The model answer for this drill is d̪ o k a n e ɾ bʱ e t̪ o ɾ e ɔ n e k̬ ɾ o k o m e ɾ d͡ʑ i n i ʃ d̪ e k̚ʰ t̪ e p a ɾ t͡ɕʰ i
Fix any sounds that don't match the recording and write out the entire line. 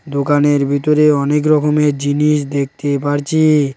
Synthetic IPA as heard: d̪ o k a n e ɾ bʱ i t̪ o ɾ e ɔ n e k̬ ɾ ɔ k o m e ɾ d͡ʑ i n i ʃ d̪ e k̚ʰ t̪ e p a ɾ t͡ɕʰ i